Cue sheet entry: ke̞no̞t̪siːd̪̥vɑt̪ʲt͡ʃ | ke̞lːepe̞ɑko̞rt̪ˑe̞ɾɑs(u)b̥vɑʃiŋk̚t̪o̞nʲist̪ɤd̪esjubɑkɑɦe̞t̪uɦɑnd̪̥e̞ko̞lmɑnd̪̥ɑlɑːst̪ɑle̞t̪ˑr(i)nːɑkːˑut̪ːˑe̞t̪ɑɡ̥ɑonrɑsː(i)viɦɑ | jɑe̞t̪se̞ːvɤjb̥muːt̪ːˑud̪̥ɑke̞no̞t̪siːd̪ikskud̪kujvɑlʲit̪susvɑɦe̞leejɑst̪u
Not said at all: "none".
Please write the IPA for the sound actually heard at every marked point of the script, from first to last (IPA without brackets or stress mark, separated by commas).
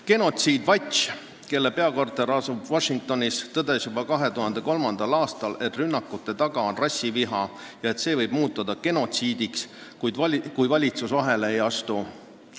u, y, i